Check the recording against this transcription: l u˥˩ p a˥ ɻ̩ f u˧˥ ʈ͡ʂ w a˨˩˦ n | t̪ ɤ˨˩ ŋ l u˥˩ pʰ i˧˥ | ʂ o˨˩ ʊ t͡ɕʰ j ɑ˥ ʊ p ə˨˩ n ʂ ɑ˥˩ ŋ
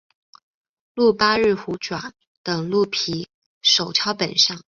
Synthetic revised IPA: l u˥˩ p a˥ ɻ̩ x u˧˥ ʈ͡ʂ w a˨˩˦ n | t̪ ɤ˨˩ ŋ l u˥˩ pʰ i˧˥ | ʂ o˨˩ ʊ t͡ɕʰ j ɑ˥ ʊ p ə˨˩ n ʂ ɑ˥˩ ŋ